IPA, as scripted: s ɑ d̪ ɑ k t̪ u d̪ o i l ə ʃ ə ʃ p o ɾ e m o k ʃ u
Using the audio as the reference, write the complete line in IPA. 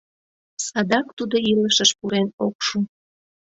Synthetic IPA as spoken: s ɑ d̪ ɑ k t̪ u d̪ o i l ə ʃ ə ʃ p u ɾ e n o k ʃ u